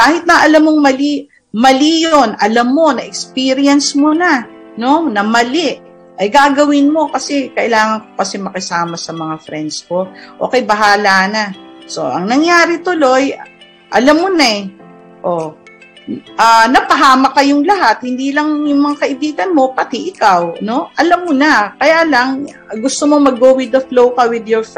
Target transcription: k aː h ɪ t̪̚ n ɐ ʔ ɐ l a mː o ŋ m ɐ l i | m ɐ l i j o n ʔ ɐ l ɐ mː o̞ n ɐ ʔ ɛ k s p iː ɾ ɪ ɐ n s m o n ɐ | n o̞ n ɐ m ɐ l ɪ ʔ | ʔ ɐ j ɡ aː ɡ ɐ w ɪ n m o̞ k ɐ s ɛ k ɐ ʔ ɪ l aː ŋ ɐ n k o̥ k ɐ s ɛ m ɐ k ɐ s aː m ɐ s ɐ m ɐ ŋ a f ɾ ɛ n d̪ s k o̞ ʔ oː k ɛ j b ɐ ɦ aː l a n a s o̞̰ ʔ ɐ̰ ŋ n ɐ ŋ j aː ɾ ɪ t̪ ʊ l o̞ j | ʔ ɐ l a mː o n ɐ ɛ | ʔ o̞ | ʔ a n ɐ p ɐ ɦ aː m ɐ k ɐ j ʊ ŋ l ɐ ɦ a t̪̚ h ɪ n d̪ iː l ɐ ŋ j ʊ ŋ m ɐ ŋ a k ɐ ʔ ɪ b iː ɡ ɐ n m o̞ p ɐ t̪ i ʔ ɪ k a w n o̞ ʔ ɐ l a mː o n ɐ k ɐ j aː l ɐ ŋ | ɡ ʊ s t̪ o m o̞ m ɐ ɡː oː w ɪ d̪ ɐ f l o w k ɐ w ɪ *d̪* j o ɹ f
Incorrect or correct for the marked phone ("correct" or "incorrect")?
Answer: correct